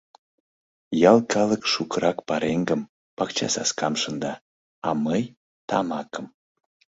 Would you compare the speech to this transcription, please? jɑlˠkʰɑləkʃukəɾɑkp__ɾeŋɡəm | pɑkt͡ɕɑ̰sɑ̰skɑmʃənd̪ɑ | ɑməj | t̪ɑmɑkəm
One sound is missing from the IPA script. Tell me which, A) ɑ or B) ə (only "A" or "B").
A